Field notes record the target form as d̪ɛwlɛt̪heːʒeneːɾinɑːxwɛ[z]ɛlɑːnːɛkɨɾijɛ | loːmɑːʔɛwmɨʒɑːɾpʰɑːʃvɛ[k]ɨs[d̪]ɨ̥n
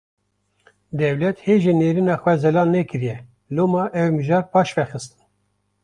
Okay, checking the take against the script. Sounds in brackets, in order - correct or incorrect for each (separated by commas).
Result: correct, incorrect, incorrect